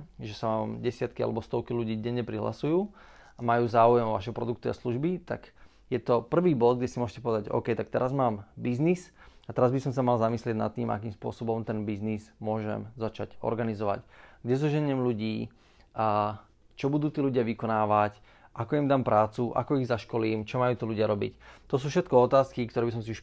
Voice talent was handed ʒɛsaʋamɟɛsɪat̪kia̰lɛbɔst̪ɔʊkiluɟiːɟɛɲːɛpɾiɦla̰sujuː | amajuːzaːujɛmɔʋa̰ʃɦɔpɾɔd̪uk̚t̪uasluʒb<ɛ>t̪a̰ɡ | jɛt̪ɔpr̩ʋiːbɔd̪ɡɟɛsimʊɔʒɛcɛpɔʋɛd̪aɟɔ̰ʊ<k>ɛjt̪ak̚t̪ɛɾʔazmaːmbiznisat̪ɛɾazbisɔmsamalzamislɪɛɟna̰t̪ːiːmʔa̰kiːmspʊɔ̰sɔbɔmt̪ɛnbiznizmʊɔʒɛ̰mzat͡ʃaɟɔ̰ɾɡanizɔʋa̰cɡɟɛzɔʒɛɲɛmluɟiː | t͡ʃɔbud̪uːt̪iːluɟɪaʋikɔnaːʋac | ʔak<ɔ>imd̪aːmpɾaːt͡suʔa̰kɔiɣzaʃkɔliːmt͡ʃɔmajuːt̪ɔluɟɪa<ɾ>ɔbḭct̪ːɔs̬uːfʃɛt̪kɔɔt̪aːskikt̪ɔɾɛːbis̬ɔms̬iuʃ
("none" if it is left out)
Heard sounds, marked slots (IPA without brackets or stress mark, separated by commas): i, k, ɔ, ɾ